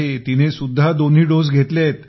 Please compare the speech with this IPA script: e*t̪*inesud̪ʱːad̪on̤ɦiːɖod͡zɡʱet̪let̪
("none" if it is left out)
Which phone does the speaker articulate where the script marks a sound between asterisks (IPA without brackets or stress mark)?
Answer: t̪